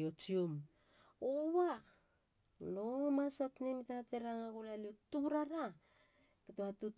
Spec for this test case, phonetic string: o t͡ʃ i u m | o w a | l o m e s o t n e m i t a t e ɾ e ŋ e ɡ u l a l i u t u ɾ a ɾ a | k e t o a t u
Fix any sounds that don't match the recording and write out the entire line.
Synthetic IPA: o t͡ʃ i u m | o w a | l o m a s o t n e m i t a t e ɾ a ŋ a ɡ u l a l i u t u ɾ a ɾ a | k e t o a t u